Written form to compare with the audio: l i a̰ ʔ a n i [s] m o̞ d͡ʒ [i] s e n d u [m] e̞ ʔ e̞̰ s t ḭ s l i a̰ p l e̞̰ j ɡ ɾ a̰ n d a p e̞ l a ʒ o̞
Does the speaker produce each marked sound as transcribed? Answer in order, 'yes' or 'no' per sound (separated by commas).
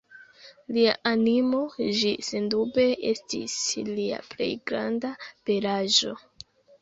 no, yes, no